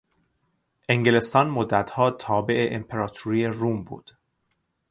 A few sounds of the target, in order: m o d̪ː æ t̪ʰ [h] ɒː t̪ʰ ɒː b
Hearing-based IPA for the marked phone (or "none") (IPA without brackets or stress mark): h